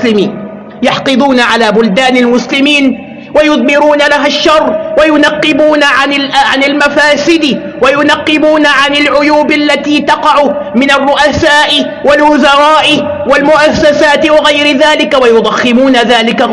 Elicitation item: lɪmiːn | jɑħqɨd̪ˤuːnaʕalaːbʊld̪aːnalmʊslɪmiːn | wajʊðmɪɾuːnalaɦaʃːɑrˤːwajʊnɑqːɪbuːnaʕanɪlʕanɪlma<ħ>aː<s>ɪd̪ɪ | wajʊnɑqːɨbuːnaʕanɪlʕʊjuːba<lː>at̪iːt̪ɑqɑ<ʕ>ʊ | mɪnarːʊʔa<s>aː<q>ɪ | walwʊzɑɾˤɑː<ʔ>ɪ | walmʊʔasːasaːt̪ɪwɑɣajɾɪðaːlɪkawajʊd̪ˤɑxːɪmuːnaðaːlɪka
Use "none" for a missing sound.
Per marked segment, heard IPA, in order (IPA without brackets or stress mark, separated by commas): f, s, lː, ʕ, s, ʔ, ʔ